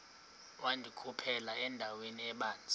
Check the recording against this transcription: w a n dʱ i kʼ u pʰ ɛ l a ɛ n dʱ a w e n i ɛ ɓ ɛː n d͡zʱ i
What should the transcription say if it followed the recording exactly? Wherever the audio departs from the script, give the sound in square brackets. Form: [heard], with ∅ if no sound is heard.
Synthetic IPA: w a n dʱ i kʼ u pʰ ɛ l a ɛ n dʱ a w e n i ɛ ɓ [aː] n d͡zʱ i

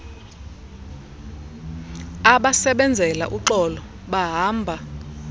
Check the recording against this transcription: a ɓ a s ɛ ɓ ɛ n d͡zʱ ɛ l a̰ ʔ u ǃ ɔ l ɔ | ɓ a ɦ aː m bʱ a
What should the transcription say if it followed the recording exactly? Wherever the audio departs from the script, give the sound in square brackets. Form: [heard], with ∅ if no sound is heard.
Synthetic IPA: a ɓ a s ɛ ɓ ɛ n d͡zʱ ɛ l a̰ ʔ u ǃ ɔ l ɔ | ɓ a ɦ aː m bʱ a

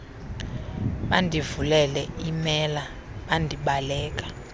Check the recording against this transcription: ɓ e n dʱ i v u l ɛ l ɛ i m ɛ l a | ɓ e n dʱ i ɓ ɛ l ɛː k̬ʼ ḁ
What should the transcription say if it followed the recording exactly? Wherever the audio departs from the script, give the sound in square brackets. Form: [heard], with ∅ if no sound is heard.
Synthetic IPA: ɓ [a] n dʱ i v u l ɛ l ɛ i m ɛ l a | ɓ [a] n dʱ i ɓ [a] l ɛː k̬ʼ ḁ

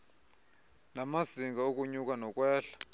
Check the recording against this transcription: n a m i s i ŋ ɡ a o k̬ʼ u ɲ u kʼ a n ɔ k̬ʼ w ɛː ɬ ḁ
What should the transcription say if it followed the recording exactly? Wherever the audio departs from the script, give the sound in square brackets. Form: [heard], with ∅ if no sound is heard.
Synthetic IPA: n a m [a] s i ŋ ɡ a o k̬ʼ u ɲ u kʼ a n ɔ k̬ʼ w ɛː ɬ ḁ

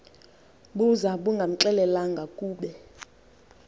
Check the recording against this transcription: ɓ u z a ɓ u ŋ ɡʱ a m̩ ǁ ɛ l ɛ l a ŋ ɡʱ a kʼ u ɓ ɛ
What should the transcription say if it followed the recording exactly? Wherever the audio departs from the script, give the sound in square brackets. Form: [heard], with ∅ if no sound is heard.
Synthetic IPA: ɓ u z a ɓ u ŋ ɡʱ a m̩ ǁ ɛ l ɛ l a ŋ ɡʱ a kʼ [uː] ɓ ɛ

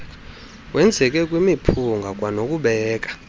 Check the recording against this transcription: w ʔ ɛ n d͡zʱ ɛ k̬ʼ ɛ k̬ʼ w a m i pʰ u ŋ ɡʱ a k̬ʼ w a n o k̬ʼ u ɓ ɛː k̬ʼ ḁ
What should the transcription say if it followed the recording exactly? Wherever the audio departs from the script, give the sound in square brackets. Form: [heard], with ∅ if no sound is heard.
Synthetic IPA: w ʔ ɛ n d͡zʱ ɛ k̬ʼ ɛ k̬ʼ w [i] m i pʰ u ŋ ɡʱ a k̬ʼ w a n o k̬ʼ u ɓ ɛː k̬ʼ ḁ

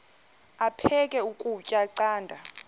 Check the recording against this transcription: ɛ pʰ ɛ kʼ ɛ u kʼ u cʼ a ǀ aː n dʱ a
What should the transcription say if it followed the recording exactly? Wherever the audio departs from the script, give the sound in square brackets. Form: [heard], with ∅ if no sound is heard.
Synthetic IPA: [a] pʰ ɛ kʼ ɛ u kʼ u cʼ a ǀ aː n dʱ a

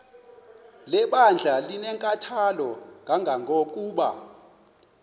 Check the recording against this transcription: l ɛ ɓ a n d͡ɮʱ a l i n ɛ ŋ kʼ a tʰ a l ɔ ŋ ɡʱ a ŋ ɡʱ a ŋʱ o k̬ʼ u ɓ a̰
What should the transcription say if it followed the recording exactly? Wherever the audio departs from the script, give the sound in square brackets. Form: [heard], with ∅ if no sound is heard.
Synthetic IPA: l ɛ ɓ a n d͡ɮʱ a l i n ɛ ŋ kʼ a tʰ a l ɔ ŋ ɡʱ a ŋ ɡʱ a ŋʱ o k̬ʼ [uː] ɓ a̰

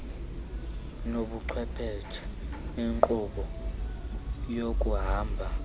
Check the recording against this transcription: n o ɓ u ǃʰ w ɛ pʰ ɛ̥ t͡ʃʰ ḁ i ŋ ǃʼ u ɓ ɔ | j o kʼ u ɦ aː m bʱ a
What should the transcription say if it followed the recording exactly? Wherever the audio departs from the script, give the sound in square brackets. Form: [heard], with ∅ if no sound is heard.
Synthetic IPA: n o ɓ u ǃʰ w ɛ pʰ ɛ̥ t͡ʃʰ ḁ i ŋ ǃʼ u ɓ ɔ | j o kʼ u ɦ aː m bʱ a

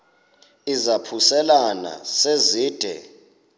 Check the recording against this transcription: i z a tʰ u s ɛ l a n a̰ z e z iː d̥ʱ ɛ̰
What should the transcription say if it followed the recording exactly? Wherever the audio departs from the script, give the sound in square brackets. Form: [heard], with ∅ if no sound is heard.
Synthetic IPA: i z a [pʰ] u s ɛ l a n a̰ [s] e z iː d̥ʱ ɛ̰

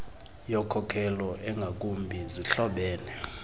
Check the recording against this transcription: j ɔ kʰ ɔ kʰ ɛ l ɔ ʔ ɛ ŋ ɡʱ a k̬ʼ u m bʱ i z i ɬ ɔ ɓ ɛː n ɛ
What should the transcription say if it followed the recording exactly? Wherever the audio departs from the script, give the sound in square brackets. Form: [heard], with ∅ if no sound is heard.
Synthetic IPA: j ɔ kʰ ɔ kʰ ɛ l ɔ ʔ ɛ ŋ ɡʱ a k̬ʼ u m bʱ i z i ɬ ɔ ɓ ɛː n ɛ

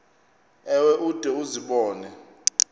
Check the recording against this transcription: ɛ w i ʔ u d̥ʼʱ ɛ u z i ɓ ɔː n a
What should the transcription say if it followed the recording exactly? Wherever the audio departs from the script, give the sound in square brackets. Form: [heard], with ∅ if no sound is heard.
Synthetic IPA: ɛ w [ɛ] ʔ u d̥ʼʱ ɛ u z i ɓ ɔː n [ɛ]

